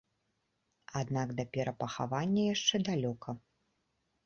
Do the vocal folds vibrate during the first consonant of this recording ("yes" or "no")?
yes